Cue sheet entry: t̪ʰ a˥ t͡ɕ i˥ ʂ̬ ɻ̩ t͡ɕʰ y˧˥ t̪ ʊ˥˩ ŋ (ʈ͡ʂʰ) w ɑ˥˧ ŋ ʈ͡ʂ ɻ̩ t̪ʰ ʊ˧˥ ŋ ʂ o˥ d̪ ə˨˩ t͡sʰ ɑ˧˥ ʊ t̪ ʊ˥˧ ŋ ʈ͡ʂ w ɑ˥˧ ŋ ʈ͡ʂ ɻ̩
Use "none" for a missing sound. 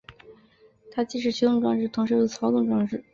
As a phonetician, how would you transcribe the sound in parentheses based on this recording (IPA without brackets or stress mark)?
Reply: ʈ͡ʂ